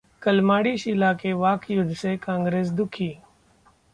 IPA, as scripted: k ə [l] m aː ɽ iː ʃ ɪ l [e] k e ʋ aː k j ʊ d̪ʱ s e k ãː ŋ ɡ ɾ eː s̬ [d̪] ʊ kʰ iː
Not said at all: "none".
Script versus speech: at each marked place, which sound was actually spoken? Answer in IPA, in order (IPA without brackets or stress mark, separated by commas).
l, a, d̪